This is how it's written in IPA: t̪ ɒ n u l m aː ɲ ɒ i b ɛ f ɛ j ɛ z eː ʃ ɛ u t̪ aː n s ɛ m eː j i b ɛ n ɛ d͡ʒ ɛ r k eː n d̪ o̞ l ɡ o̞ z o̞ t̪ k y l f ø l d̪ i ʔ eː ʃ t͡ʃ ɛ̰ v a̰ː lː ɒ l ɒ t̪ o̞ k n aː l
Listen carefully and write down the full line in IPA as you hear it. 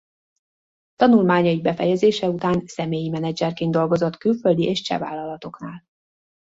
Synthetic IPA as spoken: t̪ ɒ n u l m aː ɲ ɒ i b ɛ f ɛ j ɛ z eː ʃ ɛ u t̪ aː n s ɛ m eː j i m ɛ n ɛ d͡ʒ ɛ r k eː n d̪ o̞ l ɡ o̞ z o̞ t̪ k y l f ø l d̪ i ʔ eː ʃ t͡ʃ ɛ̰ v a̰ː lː ɒ l ɒ t̪ o̞ k n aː l